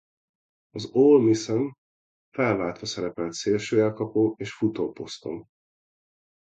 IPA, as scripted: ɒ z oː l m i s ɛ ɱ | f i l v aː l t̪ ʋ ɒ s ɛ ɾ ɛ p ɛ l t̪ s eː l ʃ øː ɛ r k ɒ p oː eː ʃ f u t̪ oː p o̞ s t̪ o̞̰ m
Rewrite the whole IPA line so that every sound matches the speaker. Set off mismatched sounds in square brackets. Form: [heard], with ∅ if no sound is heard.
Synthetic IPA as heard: ɒ z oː l m i s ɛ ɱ | f [ɛ] l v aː l t̪ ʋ ɒ s ɛ ɾ ɛ p ɛ l t̪ s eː l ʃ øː ɛ [l] k ɒ p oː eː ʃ f u t̪ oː p o̞ s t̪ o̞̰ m